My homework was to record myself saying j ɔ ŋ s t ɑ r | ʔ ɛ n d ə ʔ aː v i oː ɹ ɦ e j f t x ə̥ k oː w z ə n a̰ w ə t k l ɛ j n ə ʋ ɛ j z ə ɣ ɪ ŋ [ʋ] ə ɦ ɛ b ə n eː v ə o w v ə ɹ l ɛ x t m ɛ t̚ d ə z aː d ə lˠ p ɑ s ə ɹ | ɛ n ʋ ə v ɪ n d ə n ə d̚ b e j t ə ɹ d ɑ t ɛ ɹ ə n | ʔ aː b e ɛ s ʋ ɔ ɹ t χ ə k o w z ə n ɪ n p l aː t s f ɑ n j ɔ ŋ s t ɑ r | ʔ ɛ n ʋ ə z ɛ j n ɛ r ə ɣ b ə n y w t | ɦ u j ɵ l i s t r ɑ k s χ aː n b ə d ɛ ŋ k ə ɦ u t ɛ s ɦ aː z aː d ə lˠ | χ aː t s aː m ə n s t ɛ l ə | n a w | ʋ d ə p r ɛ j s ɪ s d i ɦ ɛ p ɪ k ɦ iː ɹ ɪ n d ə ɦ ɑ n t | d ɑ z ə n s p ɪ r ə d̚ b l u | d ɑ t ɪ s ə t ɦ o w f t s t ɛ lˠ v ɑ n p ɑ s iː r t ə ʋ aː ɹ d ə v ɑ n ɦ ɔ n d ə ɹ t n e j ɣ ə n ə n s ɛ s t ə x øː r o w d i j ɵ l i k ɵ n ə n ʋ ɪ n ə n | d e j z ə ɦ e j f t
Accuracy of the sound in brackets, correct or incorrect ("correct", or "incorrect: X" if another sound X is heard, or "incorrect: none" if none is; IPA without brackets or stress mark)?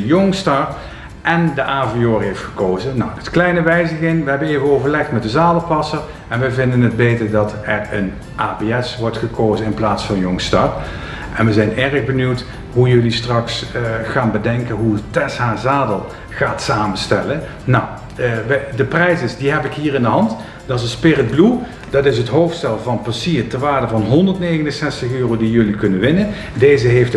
correct